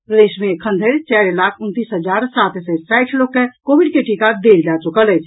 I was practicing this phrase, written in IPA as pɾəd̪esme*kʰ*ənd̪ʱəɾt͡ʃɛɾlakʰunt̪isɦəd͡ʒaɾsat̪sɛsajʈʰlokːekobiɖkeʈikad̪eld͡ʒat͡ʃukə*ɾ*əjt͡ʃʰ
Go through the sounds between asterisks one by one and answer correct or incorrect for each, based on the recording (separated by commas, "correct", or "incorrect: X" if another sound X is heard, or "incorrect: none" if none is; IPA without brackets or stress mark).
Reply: correct, incorrect: l